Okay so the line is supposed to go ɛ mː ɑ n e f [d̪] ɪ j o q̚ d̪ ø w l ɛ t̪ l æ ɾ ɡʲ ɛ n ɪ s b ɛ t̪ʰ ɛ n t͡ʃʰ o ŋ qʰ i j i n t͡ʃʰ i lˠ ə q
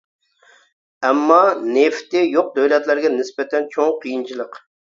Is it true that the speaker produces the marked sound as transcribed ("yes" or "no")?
no